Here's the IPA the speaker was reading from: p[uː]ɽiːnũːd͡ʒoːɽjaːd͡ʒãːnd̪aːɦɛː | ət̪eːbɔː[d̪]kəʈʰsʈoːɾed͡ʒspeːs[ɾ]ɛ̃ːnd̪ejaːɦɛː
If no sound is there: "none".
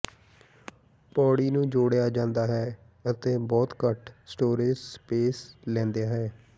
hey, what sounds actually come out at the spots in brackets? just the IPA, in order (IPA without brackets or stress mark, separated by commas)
ɔː, t̪, l